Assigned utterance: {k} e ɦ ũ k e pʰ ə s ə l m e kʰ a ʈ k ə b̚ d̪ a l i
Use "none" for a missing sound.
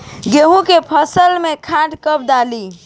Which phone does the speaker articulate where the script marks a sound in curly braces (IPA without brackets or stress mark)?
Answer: ɡ